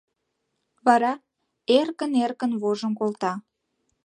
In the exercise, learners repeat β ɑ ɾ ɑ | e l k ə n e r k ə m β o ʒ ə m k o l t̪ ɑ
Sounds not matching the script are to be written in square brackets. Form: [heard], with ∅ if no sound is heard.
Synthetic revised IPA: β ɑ ɾ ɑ | e [r] k ə n e r k ə [n] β o ʒ ə m k o l t̪ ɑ